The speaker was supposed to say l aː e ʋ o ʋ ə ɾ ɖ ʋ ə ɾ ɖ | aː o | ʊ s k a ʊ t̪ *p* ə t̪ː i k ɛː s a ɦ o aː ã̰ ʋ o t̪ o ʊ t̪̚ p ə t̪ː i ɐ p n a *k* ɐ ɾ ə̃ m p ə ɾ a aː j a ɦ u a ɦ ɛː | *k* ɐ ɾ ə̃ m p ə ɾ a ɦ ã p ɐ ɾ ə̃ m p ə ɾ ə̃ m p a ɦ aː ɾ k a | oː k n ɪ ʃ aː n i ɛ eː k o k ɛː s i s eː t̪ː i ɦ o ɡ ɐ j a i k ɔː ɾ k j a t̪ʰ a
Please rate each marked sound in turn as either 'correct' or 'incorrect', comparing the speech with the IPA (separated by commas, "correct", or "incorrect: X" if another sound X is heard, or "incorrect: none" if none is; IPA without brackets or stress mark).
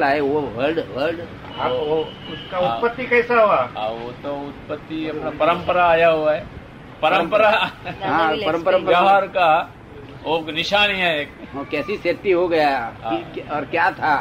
correct, incorrect: p, incorrect: p